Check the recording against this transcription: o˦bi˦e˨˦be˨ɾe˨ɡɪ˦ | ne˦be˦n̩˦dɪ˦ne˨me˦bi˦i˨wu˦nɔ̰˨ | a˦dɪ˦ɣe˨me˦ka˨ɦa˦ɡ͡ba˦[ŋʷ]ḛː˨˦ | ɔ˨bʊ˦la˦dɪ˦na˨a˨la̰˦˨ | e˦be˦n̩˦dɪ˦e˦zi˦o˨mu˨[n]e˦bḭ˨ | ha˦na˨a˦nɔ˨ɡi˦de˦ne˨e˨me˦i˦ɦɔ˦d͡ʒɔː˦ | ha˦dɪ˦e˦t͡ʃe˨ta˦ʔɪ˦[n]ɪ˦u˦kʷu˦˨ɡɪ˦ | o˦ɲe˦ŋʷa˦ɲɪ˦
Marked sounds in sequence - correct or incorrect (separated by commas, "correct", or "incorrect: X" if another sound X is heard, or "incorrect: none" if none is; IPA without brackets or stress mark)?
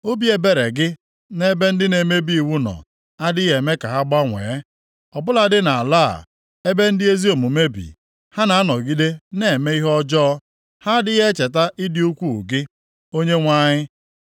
correct, incorrect: m, incorrect: d